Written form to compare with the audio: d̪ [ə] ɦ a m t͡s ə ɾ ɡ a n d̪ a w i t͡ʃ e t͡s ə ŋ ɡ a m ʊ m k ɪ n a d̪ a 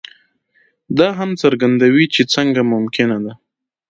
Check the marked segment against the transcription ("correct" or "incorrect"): incorrect